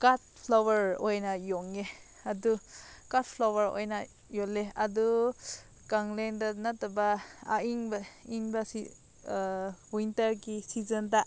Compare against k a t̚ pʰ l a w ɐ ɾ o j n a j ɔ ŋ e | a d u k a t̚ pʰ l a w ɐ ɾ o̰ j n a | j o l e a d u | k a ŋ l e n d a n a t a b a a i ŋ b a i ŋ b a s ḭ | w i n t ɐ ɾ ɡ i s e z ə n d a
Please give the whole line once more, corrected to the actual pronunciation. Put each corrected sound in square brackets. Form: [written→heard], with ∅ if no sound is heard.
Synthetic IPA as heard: k a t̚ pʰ l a w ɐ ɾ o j n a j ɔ ŋ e | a d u k a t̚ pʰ l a w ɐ ɾ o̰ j n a | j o l e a d u | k a ŋ l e n d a n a t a b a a i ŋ b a i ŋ b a s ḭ | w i n t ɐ ɾ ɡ i s [e→i] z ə n d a